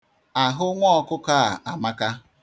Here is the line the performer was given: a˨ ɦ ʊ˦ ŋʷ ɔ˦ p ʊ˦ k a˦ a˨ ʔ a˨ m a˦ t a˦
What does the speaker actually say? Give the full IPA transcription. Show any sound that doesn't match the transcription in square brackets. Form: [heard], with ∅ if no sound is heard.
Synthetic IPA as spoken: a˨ ɦ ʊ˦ ŋʷ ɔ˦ [k] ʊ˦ k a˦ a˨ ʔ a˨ m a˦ [k] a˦